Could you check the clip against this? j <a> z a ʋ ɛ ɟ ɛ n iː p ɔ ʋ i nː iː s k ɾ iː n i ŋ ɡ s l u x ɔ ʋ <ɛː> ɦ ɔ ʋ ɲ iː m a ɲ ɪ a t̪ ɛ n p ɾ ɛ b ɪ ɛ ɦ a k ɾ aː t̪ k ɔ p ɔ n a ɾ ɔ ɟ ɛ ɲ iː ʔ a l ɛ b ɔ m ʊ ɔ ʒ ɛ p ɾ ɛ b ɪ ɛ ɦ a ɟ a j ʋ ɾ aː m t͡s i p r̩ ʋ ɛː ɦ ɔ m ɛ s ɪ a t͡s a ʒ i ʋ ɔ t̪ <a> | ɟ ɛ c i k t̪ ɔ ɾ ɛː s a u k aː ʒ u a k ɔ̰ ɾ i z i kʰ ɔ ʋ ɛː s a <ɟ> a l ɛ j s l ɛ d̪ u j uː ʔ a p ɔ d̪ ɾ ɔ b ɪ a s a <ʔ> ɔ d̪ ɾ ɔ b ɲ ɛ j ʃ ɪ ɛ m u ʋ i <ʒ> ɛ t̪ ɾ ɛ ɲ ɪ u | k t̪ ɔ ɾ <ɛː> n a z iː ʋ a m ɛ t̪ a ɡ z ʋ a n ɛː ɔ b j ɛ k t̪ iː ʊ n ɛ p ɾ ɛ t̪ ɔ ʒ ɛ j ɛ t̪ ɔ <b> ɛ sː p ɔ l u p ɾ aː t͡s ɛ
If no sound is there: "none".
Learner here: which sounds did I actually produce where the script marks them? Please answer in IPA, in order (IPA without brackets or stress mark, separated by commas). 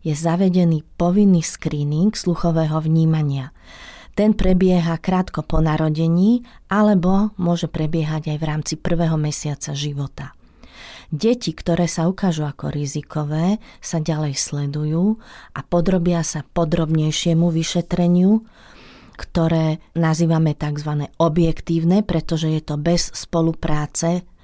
ɛ, ɛː, a, ɟ, p, ʃ, ɛː, b